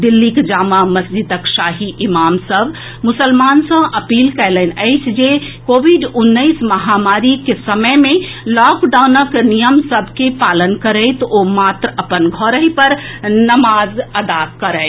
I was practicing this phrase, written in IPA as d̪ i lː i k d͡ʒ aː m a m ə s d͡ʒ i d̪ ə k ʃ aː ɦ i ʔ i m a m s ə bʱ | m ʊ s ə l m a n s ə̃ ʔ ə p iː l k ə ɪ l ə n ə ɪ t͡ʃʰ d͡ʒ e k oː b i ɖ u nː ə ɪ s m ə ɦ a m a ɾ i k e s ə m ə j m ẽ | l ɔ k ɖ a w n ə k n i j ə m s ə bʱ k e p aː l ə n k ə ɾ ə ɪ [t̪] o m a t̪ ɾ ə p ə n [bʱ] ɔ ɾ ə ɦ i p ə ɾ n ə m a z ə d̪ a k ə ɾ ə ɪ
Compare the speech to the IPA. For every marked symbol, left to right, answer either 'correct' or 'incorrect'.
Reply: correct, incorrect

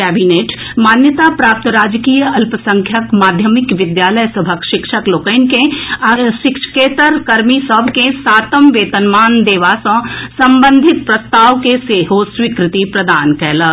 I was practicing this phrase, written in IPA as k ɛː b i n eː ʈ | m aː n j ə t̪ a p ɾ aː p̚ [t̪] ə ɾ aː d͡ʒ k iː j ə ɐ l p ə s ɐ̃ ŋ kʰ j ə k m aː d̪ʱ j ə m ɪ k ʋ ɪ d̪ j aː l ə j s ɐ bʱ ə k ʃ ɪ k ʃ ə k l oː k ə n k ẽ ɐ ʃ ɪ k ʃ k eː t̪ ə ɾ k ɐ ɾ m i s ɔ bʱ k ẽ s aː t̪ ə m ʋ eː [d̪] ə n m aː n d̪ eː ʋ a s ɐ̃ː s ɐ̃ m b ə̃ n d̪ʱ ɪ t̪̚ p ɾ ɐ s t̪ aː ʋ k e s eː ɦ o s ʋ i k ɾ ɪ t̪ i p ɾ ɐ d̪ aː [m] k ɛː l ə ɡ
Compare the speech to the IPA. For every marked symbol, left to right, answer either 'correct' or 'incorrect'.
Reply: correct, incorrect, incorrect

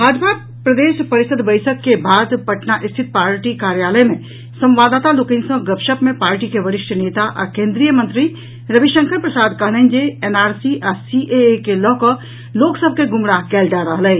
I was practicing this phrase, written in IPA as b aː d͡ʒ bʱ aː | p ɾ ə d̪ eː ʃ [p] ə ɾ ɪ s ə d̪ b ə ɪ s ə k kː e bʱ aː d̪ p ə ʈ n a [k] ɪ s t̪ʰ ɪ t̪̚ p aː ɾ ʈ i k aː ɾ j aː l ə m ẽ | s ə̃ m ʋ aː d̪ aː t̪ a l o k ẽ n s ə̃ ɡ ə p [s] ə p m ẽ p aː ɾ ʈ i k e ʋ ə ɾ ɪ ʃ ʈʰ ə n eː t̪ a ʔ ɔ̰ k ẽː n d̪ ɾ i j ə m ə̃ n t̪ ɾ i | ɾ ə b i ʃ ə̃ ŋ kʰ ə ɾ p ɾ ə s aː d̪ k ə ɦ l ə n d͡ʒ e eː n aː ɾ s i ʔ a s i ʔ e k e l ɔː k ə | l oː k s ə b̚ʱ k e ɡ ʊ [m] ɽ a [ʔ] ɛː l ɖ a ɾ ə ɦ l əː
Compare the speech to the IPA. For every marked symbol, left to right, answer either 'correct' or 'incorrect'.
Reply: correct, incorrect, incorrect, correct, incorrect

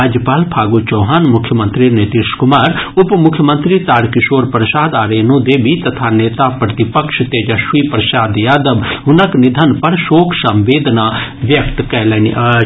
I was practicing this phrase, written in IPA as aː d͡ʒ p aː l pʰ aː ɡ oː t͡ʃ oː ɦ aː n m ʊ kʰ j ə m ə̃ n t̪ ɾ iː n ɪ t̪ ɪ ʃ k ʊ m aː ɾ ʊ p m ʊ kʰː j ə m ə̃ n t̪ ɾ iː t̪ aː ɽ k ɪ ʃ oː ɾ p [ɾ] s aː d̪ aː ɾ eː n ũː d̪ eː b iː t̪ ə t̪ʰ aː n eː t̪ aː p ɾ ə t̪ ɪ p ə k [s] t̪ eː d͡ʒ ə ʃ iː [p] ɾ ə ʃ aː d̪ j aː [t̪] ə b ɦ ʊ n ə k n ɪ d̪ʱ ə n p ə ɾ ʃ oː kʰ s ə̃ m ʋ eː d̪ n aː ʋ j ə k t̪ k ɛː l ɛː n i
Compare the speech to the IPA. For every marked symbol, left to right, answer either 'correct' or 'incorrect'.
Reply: correct, incorrect, correct, incorrect

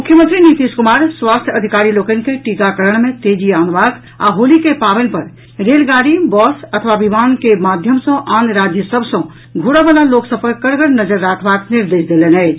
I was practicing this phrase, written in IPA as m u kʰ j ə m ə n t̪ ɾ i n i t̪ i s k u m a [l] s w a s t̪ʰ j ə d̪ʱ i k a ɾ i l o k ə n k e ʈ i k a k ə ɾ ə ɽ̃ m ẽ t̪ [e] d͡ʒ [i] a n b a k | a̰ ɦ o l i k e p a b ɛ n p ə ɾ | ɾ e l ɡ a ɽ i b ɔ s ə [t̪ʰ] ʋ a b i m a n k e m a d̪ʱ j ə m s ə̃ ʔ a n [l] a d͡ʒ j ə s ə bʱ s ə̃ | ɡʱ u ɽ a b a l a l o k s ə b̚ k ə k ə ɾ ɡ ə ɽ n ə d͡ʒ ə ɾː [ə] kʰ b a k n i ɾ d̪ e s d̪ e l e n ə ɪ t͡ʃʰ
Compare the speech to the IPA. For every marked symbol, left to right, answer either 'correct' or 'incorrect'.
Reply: incorrect, correct, correct, correct, incorrect, incorrect

